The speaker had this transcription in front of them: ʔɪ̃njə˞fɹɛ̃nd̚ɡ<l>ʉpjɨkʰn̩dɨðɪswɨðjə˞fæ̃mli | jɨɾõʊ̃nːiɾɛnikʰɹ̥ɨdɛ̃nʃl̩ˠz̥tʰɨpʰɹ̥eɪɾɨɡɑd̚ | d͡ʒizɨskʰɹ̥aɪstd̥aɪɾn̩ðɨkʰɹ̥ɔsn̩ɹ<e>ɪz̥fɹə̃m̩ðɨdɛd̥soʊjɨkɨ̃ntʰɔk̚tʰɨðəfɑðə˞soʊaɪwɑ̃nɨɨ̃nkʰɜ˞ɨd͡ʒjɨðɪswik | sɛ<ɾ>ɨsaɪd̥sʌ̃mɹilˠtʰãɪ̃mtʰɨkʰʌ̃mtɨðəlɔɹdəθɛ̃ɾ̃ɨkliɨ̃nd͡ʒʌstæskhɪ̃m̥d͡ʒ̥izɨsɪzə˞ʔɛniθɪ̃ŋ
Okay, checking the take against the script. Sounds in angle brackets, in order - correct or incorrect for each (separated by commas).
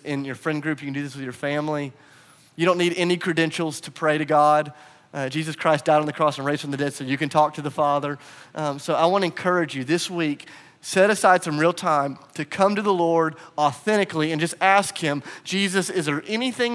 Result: incorrect, correct, correct